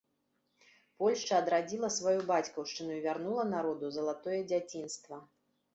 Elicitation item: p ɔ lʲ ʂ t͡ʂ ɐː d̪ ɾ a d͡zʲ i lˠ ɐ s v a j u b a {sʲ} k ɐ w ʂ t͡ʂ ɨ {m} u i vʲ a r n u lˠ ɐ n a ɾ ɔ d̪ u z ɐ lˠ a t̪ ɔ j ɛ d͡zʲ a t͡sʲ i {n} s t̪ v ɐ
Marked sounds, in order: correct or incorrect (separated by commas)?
incorrect, incorrect, correct